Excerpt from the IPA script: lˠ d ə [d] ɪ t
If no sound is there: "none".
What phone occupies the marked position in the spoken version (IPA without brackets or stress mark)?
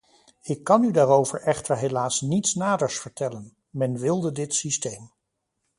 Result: d